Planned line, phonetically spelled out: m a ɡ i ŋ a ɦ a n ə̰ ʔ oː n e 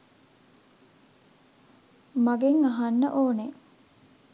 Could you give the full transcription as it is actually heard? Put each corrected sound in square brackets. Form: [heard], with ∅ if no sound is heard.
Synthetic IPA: m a ɡ [e] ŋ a ɦ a [nː] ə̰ ʔ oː n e